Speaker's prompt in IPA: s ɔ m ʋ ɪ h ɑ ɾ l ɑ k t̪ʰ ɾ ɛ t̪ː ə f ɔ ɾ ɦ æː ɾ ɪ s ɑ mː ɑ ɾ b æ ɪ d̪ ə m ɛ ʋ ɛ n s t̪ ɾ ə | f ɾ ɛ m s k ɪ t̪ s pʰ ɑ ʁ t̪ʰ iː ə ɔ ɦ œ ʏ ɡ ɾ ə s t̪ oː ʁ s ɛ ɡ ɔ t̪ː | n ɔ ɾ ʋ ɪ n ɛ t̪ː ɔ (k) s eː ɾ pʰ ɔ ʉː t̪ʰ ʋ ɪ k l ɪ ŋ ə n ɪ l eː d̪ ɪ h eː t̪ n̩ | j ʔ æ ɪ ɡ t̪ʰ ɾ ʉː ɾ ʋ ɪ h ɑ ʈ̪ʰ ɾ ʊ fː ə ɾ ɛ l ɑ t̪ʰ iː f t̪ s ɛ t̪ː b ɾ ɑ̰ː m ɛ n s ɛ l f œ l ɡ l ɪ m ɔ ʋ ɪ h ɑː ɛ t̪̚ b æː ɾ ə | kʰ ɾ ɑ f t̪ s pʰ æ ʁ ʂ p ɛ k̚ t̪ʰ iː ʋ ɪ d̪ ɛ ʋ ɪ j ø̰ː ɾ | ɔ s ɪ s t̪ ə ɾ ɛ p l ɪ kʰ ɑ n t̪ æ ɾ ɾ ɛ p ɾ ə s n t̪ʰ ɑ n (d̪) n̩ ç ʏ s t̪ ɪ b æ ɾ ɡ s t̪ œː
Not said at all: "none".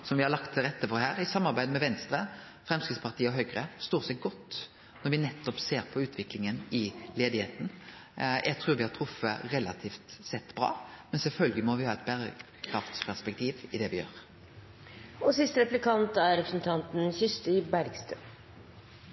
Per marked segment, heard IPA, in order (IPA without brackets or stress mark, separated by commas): p, t̪